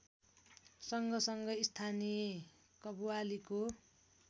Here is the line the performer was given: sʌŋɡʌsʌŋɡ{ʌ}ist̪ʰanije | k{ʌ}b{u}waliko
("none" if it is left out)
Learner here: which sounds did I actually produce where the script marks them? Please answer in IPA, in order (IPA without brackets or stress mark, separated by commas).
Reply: ʌ, ʌ, u